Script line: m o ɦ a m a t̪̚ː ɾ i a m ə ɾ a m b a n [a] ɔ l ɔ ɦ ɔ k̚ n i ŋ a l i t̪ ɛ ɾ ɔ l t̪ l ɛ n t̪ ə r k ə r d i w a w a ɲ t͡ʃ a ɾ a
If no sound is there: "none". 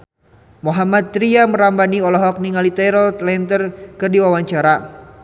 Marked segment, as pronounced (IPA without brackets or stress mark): i